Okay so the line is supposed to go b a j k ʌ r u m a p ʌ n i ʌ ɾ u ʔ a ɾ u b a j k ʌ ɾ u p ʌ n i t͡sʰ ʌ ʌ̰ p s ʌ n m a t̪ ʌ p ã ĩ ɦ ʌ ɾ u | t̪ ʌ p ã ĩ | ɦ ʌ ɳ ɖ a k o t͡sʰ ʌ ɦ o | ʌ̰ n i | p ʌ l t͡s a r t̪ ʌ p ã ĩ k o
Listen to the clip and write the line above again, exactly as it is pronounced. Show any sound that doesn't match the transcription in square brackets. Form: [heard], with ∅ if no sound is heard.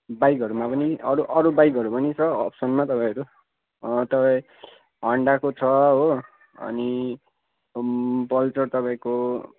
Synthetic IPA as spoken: b a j k ʌ [ɾ] u m a p ʌ n i ʌ ɾ u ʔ [ʌ] ɾ u b a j k ʌ ɾ u p ʌ n i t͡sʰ ʌ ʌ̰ p s ʌ n m a t̪ ʌ p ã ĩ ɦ ʌ ɾ u | t̪ ʌ p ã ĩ | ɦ ʌ ɳ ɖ a k o t͡sʰ ʌ ɦ o | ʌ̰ n i | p ʌ l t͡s [ʌ] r t̪ ʌ p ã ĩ k o